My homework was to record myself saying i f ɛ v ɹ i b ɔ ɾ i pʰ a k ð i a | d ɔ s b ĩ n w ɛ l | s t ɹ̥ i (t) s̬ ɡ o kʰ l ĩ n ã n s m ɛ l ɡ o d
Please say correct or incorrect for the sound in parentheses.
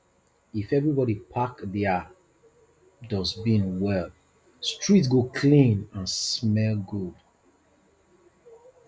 correct